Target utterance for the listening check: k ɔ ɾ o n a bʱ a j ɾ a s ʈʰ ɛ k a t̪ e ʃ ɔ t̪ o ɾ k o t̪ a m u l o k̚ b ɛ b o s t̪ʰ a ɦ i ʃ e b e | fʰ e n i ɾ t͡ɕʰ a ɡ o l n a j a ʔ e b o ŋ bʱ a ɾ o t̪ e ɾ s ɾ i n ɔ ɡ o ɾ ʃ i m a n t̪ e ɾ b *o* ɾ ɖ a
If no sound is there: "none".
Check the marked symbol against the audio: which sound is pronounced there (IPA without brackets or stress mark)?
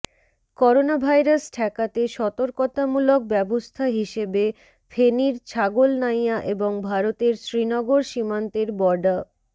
ɔ